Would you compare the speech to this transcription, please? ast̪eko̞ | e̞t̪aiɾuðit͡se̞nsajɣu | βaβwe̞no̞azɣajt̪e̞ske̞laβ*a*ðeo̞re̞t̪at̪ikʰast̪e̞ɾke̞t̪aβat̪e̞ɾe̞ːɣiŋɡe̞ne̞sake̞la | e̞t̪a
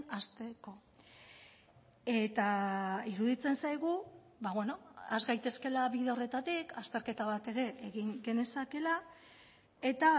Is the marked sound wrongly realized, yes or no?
yes